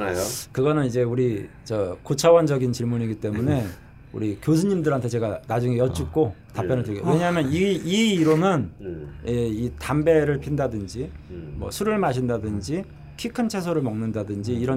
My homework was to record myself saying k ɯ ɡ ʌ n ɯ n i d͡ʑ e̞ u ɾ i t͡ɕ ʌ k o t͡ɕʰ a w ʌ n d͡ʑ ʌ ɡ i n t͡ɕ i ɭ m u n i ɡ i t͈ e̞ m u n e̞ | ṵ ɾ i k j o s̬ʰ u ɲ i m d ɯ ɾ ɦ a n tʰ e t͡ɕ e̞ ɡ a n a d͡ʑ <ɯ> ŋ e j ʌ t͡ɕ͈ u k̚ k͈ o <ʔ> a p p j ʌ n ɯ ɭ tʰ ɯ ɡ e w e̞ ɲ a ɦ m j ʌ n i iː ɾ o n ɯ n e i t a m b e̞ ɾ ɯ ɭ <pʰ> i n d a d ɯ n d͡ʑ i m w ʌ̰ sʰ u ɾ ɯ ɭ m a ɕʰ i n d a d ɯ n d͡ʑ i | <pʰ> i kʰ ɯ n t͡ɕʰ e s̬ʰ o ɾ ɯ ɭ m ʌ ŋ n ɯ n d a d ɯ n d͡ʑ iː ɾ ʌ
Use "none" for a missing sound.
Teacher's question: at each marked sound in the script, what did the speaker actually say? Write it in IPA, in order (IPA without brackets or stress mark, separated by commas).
u, t, pʰ, kʰ